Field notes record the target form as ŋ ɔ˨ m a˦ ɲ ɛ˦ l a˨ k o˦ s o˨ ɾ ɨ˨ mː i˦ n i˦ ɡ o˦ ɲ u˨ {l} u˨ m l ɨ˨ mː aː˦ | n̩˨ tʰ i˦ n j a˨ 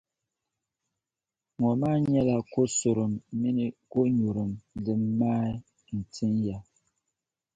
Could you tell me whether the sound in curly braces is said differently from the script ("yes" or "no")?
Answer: yes